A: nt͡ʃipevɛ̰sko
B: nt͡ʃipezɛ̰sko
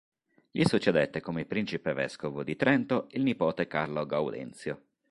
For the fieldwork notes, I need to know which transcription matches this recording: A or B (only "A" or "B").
A